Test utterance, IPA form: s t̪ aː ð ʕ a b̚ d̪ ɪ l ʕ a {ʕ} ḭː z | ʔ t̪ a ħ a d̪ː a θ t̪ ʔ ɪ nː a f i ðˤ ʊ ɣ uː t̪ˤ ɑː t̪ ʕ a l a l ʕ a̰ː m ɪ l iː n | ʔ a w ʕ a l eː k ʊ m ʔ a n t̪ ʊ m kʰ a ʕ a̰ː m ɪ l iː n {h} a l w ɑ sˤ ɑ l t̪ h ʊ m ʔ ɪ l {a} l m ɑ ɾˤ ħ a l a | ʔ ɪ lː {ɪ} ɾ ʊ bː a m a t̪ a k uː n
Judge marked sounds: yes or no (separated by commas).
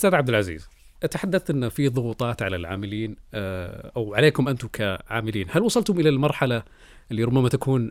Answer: no, yes, yes, no